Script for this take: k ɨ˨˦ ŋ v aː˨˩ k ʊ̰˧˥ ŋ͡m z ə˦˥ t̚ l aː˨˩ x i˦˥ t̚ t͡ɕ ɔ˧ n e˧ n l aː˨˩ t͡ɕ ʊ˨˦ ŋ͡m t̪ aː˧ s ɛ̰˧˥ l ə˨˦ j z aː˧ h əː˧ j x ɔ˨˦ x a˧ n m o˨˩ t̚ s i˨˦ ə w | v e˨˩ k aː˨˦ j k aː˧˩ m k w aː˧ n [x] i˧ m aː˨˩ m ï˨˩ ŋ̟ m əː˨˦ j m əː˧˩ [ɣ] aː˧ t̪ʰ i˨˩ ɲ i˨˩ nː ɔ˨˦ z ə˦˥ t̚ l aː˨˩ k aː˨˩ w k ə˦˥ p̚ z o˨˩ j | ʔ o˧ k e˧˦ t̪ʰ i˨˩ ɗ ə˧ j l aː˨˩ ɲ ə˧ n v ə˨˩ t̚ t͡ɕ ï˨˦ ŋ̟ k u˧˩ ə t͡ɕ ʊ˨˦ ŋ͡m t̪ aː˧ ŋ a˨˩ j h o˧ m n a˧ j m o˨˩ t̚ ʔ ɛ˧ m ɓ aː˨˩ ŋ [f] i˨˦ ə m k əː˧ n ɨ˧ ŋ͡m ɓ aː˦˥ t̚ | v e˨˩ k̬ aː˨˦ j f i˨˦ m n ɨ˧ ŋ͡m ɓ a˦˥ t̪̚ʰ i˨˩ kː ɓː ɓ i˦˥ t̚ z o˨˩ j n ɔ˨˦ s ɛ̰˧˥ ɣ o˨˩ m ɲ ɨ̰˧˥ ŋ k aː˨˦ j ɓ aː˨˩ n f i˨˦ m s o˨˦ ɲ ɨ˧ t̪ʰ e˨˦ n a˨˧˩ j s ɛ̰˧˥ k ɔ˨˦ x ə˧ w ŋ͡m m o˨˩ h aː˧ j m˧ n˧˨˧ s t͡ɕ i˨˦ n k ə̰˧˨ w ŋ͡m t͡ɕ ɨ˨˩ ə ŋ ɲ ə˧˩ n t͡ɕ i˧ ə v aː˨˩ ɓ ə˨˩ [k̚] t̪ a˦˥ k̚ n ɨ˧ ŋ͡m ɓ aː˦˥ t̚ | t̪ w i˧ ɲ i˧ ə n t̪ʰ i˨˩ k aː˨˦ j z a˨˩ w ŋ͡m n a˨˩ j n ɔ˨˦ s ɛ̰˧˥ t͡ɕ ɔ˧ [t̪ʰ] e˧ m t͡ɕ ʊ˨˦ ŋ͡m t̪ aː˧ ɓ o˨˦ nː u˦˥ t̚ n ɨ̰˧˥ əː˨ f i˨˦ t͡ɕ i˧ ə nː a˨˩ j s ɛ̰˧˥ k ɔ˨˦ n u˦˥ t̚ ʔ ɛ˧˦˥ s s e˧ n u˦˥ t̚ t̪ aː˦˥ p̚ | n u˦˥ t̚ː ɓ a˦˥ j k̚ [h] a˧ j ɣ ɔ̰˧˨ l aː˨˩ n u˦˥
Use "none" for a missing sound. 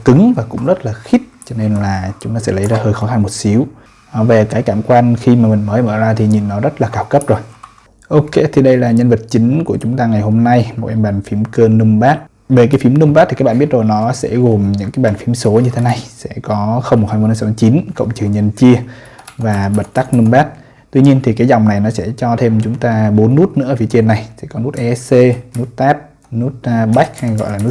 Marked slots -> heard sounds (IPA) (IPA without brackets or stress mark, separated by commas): x, z, f, t̚, t̪ʰ, h